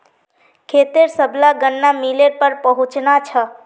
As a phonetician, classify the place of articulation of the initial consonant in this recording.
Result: velar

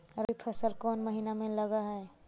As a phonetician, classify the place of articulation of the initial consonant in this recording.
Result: alveolar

